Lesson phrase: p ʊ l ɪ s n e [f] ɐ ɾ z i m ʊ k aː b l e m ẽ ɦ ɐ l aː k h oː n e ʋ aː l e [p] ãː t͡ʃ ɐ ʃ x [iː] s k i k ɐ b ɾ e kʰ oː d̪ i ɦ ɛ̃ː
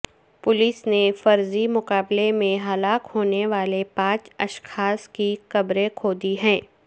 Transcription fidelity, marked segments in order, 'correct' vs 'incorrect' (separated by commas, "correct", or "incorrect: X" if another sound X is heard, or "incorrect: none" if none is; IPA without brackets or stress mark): correct, correct, incorrect: aː